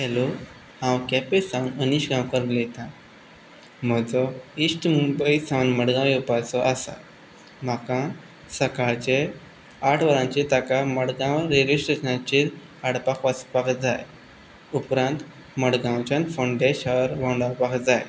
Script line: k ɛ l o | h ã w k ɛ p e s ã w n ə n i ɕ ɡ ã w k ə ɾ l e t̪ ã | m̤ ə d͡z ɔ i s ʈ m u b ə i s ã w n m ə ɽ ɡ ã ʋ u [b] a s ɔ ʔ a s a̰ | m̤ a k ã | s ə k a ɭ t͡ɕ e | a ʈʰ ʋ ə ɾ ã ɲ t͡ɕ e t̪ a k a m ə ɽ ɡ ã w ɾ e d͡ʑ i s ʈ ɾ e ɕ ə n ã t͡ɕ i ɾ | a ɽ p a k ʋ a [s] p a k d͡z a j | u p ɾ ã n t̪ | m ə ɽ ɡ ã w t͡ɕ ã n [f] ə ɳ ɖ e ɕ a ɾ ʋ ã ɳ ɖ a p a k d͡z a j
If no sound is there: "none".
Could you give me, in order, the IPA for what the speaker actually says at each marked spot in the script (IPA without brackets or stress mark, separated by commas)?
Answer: p, s, f